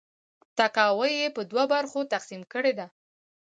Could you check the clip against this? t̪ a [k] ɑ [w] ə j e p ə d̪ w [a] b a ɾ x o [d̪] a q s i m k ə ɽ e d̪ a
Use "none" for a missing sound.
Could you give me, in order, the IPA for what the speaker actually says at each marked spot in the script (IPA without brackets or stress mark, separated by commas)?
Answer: k, w, a, t̪